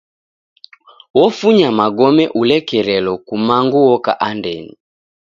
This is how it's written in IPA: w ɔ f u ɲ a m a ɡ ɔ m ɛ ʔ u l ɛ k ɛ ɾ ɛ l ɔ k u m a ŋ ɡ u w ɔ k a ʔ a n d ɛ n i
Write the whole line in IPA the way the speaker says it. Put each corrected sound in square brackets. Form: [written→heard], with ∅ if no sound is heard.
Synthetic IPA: w ɔ f u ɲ a m a ɡ ɔ m ɛ ʔ u l ɛ k ɛ ɾ ɛ l ɔ k u m a ŋ ɡ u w ɔ k a ʔ a n d ɛ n i